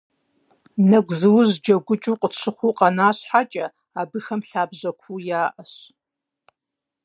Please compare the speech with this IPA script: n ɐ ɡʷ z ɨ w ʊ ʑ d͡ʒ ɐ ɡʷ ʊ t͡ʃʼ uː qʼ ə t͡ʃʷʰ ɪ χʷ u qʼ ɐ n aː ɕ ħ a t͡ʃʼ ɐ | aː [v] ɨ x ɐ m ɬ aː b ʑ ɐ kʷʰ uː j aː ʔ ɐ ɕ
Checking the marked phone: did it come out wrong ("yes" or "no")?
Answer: yes